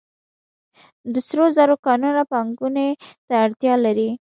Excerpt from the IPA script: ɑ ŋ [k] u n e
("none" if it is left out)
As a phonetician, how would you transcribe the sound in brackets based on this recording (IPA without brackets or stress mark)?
ɡ